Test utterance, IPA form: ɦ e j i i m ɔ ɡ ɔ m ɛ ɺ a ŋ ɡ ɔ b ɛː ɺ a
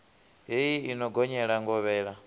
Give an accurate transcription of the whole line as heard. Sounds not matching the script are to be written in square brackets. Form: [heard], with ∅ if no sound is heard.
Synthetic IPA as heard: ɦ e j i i [n] ɔ ɡ ɔ [ɲ] ɛ ɺ a ŋ ɡ ɔ [β] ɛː ɺ a